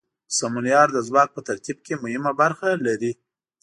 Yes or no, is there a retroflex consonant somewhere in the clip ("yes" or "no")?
no